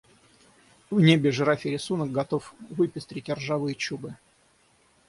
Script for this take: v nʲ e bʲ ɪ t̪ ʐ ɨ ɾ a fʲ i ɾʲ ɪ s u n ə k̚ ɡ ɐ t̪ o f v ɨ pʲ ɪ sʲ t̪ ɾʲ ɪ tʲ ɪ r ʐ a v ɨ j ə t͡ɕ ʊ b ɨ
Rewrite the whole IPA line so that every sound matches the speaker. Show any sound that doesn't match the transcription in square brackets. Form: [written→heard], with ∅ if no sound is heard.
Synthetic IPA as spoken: v nʲ e bʲ ɪ [t̪→∅] ʐ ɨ ɾ a fʲ [i→ɪ] ɾʲ ɪ s u n ə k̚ ɡ ɐ t̪ o f v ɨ pʲ ɪ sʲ t̪ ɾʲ ɪ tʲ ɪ r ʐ a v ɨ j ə t͡ɕ [ʊ→u] b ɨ